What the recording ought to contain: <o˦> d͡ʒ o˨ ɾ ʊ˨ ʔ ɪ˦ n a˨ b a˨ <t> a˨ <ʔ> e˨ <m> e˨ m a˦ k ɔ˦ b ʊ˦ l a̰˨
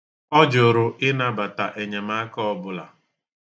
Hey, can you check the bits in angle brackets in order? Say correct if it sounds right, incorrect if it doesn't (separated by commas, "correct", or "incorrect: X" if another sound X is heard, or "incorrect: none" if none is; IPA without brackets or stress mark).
incorrect: ɔ˦, correct, correct, incorrect: ɲ